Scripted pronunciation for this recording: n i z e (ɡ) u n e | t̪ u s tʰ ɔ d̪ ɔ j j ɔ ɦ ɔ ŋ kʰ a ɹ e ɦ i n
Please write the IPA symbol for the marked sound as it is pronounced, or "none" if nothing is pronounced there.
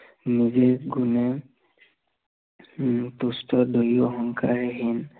ɡ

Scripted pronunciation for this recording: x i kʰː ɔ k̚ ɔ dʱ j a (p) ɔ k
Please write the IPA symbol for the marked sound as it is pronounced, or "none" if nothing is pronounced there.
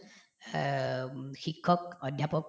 p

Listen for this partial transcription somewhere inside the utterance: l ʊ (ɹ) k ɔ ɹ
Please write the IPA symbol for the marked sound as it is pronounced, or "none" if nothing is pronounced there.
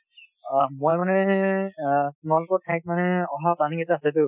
none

